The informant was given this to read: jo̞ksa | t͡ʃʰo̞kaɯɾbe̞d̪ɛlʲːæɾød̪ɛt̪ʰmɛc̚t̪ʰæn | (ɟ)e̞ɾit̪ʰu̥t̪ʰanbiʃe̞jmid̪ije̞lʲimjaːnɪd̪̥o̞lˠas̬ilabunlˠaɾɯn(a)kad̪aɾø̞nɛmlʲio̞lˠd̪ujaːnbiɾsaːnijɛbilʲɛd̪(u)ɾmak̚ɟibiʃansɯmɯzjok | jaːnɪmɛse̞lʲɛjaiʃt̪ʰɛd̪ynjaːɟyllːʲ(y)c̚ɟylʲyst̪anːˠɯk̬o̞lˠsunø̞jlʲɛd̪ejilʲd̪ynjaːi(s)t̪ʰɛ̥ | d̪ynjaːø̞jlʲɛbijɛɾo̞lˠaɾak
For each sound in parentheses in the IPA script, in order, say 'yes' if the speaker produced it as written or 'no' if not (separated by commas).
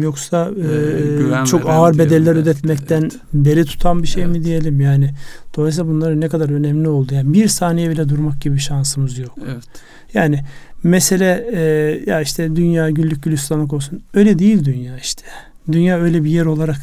no, no, yes, yes, no